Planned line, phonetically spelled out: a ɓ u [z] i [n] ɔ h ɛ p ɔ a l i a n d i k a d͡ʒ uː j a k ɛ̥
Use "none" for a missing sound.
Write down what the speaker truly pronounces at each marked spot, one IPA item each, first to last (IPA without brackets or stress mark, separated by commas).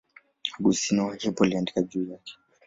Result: s, n